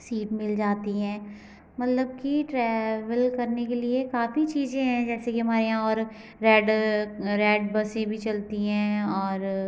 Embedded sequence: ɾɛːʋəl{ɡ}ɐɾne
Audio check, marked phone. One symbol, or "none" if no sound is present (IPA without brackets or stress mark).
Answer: k